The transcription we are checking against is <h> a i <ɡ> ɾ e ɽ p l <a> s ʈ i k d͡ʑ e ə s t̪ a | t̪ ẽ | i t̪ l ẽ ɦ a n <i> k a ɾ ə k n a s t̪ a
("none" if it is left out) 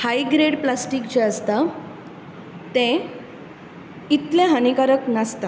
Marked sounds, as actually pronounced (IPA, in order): h, ɡ, a, i

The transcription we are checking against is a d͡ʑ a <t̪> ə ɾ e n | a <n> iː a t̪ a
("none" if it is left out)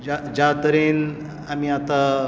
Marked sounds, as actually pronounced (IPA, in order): t̪, m

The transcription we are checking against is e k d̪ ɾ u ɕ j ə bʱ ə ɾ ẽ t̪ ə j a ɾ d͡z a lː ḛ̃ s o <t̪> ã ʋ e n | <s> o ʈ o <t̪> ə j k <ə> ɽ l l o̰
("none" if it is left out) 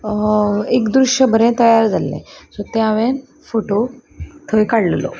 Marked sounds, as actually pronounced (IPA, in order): t̪, f, t̪ʰ, a

